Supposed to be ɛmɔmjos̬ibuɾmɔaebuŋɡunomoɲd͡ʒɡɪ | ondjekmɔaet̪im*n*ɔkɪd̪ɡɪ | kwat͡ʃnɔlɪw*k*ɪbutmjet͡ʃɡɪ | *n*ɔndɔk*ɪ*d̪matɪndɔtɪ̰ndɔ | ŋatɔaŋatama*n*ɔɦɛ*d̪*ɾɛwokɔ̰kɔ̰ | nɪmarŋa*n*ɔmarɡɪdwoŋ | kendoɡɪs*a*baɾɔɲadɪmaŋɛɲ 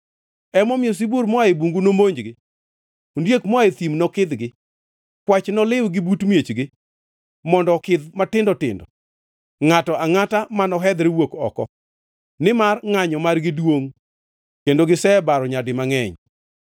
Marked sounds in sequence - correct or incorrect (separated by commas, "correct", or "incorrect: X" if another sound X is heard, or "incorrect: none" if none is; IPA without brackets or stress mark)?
correct, incorrect: ɡ, incorrect: m, correct, correct, correct, incorrect: ɲ, incorrect: ɛ